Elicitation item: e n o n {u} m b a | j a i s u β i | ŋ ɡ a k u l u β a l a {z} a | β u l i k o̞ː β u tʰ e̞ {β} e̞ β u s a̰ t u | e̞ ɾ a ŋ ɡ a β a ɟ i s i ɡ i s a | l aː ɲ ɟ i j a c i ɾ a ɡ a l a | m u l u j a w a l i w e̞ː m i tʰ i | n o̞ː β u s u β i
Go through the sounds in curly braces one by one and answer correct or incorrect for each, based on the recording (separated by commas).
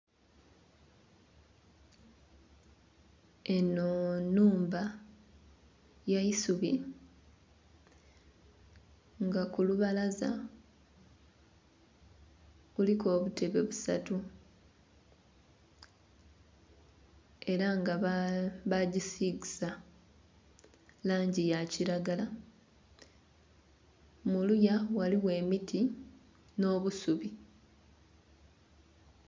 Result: incorrect, correct, correct